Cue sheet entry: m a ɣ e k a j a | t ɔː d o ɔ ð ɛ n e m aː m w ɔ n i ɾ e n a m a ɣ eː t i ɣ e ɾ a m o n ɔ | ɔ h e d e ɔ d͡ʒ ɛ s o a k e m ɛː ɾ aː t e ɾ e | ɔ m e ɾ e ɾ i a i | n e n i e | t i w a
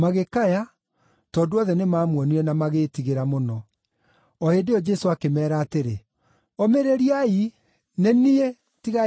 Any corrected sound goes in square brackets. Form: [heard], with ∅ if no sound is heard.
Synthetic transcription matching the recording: m a ɣ e k a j a | t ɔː d o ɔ ð ɛ n e m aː m w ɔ n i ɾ [ɛ] n a m a ɣ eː t i ɣ e ɾ a m o n ɔ | ɔ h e d e ɔ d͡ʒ ɛ s o a k e m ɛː ɾ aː t e ɾ e | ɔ m e ɾ e ɾ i a i | n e n i e | t i [ɣ] a